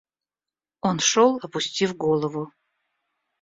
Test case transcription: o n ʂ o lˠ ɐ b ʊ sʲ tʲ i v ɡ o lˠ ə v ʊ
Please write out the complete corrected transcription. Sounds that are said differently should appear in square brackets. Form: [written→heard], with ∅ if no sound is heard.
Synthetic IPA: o n ʂ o lˠ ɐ [b→p] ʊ sʲ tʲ i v ɡ o lˠ ə v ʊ